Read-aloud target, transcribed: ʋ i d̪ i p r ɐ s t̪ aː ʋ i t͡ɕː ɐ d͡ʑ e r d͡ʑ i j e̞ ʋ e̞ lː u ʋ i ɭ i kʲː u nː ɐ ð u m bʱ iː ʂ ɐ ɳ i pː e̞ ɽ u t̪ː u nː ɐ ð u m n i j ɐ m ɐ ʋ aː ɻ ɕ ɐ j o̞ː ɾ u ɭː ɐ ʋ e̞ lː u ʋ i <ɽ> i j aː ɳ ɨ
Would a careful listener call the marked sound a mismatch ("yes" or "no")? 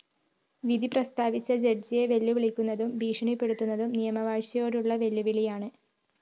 yes